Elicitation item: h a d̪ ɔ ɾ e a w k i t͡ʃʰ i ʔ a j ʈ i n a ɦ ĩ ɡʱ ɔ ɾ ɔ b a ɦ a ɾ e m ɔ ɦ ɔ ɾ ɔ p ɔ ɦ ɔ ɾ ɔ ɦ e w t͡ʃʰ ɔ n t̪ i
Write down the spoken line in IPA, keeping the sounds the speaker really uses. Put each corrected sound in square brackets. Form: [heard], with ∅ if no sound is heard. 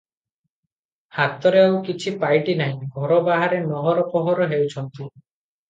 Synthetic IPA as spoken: h a [t̪] ɔ ɾ e a w k i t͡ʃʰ i [p] a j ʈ i n a ɦ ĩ ɡʱ ɔ ɾ ɔ b a ɦ a ɾ e [n] ɔ ɦ ɔ ɾ ɔ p ɔ ɦ ɔ ɾ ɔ ɦ e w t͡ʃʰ ɔ n t̪ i